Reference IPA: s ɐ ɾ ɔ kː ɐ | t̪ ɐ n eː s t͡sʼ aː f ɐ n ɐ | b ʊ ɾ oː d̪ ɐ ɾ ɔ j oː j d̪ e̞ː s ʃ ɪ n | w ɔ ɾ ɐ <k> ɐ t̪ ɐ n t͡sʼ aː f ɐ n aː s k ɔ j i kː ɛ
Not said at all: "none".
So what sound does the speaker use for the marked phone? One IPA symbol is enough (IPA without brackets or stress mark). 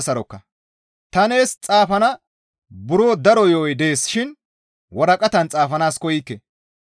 kʼ